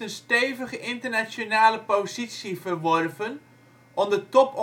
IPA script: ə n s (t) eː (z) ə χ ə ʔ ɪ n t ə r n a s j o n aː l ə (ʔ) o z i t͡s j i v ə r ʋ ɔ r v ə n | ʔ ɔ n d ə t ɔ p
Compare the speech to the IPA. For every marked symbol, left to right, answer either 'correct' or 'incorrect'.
correct, incorrect: v, incorrect: p

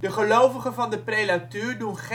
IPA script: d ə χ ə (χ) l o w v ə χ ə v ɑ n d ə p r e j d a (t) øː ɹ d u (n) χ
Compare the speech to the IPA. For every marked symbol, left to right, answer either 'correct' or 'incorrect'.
incorrect: none, correct, correct

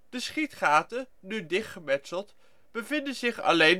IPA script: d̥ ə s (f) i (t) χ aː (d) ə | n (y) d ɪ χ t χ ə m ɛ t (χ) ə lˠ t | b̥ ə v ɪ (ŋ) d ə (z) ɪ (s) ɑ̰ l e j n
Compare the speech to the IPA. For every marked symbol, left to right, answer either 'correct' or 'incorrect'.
incorrect: χ, correct, incorrect: t, correct, incorrect: s, incorrect: n, correct, incorrect: χ

